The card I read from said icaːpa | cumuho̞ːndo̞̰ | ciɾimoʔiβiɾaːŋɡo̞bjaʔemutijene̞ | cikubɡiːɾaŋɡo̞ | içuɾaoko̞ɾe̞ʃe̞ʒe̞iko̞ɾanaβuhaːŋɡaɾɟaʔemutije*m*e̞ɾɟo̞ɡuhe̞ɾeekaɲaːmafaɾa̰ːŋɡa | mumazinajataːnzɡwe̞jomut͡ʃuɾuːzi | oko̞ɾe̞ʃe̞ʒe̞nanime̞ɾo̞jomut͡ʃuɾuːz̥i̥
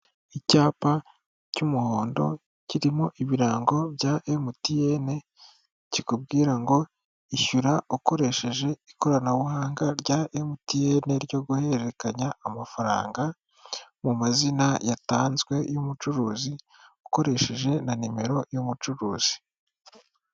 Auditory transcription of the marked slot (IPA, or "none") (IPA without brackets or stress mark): n